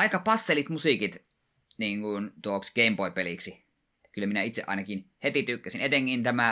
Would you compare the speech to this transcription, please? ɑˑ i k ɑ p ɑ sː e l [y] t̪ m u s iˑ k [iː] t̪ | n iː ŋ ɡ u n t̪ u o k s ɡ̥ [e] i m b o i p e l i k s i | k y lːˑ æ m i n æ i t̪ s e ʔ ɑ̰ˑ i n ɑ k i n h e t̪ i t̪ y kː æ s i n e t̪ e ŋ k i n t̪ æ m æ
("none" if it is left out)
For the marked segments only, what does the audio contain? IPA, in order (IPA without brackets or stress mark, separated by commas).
i, i, e